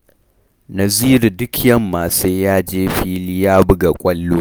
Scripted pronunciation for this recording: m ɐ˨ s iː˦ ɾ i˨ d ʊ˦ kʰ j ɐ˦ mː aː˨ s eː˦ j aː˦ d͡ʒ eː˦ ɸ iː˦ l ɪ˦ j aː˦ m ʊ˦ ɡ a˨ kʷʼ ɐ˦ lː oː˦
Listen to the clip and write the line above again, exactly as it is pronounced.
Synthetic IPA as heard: n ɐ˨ z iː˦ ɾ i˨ d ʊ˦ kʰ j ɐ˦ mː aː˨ s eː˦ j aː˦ d͡ʒ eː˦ ɸ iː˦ l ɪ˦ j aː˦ b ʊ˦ ɡ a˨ kʷʼ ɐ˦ lː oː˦